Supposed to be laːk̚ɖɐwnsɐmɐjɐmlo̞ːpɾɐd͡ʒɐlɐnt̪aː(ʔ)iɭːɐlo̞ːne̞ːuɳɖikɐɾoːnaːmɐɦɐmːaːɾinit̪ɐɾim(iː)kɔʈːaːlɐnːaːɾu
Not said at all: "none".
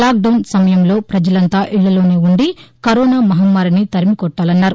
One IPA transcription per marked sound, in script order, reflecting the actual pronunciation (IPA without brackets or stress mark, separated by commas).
ʔ, i